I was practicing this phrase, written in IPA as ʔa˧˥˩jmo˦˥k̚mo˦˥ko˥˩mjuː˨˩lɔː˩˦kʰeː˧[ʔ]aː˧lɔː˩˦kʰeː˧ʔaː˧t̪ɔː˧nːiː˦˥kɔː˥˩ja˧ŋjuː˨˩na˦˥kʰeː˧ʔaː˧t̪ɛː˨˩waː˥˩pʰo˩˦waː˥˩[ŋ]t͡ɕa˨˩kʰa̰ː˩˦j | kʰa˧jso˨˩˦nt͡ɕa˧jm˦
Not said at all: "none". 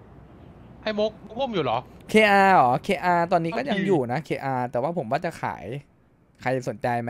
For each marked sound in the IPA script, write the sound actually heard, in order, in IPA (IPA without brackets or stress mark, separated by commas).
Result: ʔ, none